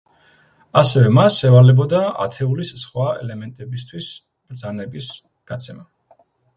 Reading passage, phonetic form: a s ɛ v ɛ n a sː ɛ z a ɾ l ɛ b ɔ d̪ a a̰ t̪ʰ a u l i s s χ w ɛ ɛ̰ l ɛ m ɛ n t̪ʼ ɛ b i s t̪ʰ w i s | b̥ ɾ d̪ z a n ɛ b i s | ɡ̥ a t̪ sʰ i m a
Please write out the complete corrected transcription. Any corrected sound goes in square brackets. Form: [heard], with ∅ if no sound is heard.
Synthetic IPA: a s ɛ v ɛ [m] a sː ɛ [v] a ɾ l ɛ b ɔ d̪ a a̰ t̪ʰ [ɛ] u l i s s χ w [a] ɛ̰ l ɛ m ɛ n t̪ʼ ɛ b i s t̪ʰ w i s | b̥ ɾ d̪ z a n ɛ b i s | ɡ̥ a t̪ sʰ [ɛ] m a